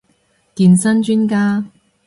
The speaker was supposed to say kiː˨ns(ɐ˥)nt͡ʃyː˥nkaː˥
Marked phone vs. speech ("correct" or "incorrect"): correct